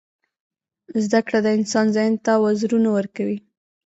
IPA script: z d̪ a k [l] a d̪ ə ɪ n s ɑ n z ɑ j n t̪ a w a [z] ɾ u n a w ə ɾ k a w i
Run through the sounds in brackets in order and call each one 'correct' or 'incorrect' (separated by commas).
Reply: incorrect, correct